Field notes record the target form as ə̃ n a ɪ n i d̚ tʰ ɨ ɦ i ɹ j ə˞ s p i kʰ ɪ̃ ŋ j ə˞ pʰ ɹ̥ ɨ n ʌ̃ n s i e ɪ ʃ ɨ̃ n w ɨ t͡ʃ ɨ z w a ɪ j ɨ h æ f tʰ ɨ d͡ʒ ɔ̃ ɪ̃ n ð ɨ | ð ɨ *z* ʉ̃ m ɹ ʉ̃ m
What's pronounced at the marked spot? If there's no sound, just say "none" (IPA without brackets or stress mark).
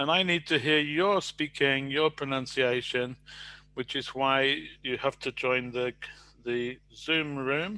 z